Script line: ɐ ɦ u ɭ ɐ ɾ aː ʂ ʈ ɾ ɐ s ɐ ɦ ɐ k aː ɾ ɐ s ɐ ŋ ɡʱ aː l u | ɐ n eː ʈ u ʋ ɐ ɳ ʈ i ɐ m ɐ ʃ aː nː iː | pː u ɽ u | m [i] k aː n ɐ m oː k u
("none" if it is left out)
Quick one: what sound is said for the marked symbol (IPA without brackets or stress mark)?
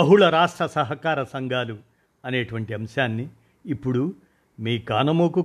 iː